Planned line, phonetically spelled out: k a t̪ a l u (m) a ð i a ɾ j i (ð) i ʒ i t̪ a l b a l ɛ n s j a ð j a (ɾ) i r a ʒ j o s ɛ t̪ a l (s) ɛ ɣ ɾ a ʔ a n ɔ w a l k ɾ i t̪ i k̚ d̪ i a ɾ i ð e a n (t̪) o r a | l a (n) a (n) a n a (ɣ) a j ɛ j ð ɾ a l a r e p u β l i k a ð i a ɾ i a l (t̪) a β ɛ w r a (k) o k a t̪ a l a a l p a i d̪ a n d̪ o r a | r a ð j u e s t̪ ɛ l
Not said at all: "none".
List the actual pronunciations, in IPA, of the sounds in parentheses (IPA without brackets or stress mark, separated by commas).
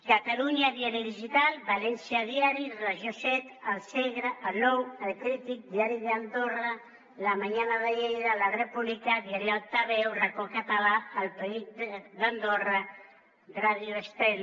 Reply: ɲ, ð, ɾ, s, d̪, m, ɲ, ð, t̪, k